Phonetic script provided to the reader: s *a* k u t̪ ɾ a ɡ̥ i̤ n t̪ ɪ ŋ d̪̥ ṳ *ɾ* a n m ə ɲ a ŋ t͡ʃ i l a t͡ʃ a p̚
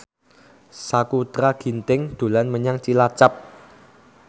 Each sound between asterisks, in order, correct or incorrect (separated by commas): correct, incorrect